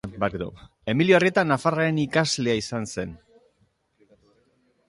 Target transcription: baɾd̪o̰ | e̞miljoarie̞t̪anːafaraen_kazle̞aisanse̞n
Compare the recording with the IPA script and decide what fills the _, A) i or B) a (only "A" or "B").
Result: A